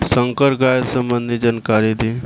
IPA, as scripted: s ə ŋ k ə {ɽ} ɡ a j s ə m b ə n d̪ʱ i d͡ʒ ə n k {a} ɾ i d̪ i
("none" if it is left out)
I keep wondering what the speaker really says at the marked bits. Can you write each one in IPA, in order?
ɾ, a

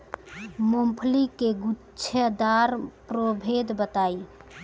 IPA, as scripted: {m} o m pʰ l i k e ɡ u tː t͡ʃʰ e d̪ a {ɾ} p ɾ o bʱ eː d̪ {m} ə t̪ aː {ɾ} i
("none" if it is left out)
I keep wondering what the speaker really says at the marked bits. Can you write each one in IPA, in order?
m, ɾ, b, none

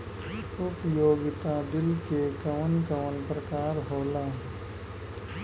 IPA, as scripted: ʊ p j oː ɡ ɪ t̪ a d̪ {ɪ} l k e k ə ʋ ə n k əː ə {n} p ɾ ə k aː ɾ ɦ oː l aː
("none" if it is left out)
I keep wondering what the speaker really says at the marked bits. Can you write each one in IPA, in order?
ɪ, n

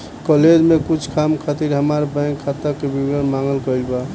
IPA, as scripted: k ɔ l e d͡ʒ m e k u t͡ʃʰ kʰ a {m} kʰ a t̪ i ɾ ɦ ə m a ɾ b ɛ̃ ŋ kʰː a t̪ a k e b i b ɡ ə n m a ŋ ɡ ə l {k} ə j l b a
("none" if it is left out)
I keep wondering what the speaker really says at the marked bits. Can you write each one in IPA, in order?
m, k

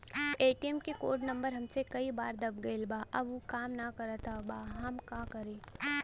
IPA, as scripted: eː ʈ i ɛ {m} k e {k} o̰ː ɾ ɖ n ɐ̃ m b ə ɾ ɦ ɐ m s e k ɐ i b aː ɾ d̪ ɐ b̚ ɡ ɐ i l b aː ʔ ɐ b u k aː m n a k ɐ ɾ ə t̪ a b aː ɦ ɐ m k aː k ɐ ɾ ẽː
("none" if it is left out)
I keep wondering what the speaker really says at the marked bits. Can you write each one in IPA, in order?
m, k

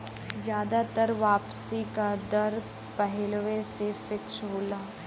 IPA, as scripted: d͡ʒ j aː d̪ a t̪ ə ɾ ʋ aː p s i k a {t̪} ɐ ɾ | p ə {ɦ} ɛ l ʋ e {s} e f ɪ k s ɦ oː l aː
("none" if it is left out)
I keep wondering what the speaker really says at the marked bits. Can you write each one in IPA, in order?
d̪, ɦ, s

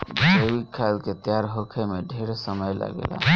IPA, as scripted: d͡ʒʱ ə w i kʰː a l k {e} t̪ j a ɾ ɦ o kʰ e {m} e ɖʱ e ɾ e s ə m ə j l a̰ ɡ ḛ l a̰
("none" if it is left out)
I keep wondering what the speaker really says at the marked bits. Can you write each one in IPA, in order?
e, m

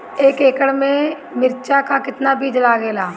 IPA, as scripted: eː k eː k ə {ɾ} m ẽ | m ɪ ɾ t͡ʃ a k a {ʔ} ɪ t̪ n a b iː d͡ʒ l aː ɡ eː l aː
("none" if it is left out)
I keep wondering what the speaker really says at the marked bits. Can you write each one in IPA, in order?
ɽ, k

